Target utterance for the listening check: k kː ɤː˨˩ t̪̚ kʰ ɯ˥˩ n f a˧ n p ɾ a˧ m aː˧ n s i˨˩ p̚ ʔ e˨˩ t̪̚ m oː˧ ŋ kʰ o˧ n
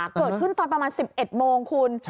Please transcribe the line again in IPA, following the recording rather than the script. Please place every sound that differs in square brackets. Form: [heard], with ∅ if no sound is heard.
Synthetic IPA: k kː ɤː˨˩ t̪̚ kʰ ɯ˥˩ n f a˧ n p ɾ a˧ m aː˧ n s i˨˩ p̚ ʔ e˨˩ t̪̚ m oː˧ ŋ kʰ [u˧] n